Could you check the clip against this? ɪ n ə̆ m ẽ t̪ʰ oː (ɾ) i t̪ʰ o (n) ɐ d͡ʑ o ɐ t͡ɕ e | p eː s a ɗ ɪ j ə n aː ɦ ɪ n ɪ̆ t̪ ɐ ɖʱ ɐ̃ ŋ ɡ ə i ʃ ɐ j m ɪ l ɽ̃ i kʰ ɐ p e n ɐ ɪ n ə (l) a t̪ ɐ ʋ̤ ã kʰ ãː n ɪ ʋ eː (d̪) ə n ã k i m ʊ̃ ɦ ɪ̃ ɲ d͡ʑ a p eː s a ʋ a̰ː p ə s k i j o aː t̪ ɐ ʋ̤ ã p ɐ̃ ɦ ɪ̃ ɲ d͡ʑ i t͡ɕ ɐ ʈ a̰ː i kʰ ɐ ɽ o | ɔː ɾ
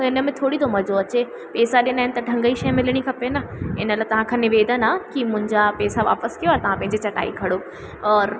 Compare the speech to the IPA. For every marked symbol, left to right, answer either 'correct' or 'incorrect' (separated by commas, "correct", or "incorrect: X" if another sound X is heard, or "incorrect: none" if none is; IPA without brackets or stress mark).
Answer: incorrect: ɽ, incorrect: m, correct, correct